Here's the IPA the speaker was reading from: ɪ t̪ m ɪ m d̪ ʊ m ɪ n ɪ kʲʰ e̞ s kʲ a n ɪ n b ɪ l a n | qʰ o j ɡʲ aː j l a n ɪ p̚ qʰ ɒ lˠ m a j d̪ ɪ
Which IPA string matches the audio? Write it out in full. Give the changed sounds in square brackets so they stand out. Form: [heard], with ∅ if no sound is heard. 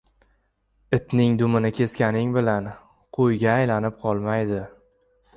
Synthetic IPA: ɪ t̪ [n] ɪ [ŋ] d̪ ʊ m ɪ n ɪ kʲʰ e̞ s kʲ a n ɪ [ŋ] b ɪ l a n | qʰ o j ɡʲ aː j l a n ɪ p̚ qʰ ɒ lˠ m a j d̪ ɪ